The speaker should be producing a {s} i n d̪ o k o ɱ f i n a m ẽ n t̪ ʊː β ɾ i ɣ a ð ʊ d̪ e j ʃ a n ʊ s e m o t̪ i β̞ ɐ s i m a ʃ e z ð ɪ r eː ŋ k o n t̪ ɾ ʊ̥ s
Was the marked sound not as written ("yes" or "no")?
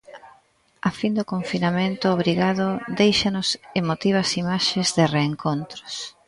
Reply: yes